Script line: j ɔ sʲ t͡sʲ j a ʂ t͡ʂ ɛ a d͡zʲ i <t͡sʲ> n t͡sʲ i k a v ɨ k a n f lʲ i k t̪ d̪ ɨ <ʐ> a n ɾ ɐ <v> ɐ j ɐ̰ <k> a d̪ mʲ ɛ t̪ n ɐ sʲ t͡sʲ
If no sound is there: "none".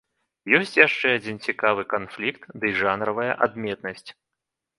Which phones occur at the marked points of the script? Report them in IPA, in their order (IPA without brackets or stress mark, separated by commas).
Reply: none, ʐ, v, ʔ